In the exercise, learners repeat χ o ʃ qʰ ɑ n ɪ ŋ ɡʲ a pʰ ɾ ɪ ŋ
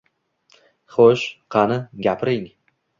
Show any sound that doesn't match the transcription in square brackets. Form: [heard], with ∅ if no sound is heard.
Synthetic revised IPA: χ o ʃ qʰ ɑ n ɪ [∅] ɡʲ a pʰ ɾ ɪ ŋ